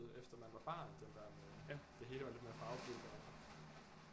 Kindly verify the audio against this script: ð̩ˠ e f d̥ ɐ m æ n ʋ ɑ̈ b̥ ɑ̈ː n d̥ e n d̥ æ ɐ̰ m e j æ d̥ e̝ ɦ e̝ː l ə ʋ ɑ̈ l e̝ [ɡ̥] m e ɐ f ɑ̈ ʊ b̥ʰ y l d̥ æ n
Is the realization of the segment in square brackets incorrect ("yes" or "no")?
yes